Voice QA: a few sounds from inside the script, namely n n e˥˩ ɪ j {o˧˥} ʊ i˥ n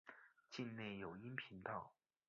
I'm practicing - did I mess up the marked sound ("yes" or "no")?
yes